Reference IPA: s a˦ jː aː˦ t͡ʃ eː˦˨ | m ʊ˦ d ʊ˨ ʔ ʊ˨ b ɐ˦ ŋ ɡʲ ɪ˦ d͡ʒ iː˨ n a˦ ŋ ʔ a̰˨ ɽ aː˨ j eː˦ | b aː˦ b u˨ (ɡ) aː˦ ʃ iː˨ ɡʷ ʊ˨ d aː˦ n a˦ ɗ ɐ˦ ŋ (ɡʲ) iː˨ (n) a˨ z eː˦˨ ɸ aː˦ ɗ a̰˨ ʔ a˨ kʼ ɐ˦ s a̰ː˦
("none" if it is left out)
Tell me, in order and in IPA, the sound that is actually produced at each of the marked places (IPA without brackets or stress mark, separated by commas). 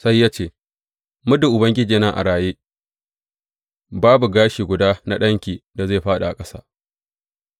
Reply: ɡ, kʲ, d